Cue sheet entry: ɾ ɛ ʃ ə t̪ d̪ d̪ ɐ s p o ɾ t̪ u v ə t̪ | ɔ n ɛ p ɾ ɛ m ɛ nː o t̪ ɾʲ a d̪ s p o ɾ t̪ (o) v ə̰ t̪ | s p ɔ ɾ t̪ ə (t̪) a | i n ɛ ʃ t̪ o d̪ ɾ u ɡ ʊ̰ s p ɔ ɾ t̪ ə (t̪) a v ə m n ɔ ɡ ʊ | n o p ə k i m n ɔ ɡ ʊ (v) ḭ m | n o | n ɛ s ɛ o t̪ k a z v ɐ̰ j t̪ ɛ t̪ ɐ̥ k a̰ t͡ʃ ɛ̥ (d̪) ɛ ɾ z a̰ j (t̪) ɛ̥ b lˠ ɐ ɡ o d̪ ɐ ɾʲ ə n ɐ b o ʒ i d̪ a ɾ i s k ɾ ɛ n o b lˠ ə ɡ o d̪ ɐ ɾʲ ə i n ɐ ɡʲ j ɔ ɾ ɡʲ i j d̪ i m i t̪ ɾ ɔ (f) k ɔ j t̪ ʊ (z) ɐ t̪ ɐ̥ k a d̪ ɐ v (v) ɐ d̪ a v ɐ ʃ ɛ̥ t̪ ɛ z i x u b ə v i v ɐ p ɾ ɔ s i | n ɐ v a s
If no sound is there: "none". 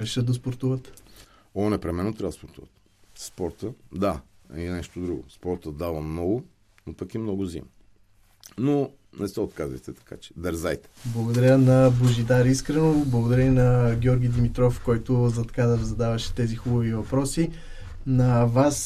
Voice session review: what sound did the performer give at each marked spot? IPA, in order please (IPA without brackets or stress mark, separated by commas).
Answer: u, d̪, d̪, z, d̪, t̪, f, z, z